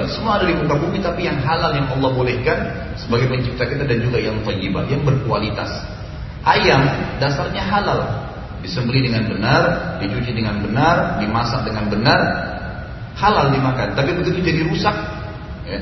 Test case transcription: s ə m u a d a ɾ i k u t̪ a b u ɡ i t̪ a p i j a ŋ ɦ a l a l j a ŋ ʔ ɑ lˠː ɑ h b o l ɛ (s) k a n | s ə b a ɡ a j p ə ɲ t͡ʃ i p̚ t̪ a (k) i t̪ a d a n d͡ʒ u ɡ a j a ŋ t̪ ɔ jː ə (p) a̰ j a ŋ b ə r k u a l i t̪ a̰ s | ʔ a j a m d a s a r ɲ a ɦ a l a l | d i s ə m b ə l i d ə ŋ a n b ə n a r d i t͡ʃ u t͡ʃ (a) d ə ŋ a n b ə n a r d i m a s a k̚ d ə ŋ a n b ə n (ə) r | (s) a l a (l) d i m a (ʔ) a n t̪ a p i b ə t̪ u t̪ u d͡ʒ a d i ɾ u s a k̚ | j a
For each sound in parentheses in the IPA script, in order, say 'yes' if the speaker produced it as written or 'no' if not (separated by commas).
no, yes, no, no, no, no, yes, no